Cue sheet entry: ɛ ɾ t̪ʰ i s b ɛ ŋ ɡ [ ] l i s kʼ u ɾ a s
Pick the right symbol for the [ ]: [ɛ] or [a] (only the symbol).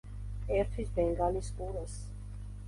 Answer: a